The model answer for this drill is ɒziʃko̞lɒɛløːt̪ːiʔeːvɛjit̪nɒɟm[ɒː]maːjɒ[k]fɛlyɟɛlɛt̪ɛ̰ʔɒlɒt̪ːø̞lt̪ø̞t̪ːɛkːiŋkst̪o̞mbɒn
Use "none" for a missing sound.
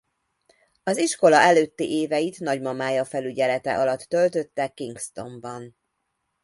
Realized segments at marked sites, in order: ɒ, none

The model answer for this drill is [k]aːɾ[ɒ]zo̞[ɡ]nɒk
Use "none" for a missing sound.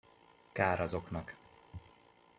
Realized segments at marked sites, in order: k, ɒ, k

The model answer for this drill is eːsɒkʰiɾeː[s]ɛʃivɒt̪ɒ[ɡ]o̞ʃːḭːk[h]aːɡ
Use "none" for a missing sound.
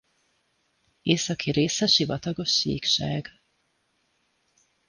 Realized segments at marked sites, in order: s, ɡ, ʃ

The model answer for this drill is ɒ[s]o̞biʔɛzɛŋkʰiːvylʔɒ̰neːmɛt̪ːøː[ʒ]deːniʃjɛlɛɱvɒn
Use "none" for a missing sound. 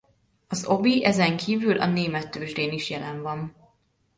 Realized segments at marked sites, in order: z, ʒ

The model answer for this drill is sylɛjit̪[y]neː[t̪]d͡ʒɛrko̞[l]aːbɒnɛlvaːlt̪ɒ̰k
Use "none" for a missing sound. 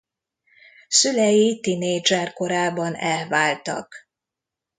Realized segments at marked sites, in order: i, none, ɾ

